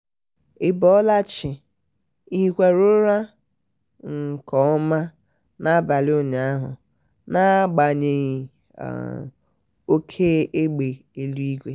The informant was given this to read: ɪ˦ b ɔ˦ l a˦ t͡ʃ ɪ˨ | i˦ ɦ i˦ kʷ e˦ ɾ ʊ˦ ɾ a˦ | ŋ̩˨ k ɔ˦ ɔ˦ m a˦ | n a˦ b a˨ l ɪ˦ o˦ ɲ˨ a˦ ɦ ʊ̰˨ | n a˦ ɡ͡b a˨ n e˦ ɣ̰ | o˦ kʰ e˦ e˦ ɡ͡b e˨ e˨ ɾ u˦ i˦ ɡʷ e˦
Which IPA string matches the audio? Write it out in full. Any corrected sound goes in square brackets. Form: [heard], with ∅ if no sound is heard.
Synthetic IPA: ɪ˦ b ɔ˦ l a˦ t͡ʃ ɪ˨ | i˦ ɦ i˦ kʷ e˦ ɾ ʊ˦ ɾ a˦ | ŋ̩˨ k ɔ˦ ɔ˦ m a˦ | n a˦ b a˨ l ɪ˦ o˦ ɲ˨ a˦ ɦ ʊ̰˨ | n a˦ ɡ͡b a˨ [ɲ] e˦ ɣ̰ | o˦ kʰ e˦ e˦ ɡ͡b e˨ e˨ [l] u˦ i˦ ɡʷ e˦